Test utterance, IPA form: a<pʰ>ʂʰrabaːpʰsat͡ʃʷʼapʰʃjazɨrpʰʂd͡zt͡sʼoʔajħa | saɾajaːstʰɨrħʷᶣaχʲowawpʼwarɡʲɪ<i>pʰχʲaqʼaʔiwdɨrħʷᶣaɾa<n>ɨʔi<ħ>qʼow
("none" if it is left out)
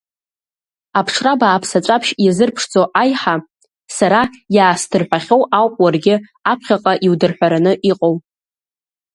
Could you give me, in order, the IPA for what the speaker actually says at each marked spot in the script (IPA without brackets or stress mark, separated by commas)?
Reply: pʰ, a, n, none